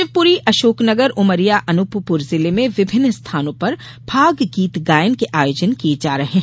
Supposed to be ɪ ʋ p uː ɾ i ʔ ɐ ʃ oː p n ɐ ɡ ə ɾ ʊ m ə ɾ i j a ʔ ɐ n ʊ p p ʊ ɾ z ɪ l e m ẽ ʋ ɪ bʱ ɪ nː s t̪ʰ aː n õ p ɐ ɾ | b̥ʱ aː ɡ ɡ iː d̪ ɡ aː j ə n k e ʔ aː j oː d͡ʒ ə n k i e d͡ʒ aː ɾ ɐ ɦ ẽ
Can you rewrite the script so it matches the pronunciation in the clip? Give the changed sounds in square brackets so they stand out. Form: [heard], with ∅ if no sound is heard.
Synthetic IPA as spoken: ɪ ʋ p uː ɾ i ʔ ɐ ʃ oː [k] n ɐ ɡ ə ɾ ʊ m ə ɾ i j a ʔ ɐ n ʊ p p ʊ ɾ z ɪ l e m ẽ ʋ ɪ bʱ ɪ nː s t̪ʰ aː n õ p ɐ ɾ | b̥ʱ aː ɡ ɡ iː [t̪] ɡ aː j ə n k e ʔ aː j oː d͡ʒ ə n k i e d͡ʒ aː ɾ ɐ ɦ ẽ